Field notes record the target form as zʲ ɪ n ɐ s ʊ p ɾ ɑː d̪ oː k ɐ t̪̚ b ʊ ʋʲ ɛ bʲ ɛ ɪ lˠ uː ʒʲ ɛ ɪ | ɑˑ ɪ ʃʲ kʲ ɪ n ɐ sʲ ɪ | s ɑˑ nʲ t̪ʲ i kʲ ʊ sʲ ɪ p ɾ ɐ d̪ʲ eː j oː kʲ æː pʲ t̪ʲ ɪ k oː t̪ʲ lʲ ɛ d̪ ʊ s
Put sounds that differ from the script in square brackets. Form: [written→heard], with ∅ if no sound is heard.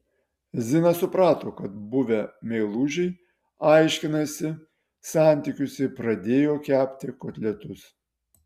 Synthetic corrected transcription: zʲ ɪ n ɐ s ʊ p ɾ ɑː [d̪→t̪] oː k ɐ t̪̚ b ʊ ʋʲ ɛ [bʲ→mʲ] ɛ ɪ lˠ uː ʒʲ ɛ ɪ | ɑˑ ɪ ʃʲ kʲ ɪ n ɐ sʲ ɪ | s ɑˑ nʲ t̪ʲ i kʲ ʊ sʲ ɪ p ɾ ɐ d̪ʲ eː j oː kʲ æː pʲ t̪ʲ ɪ k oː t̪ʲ lʲ ɛ [d̪→t̪] ʊ s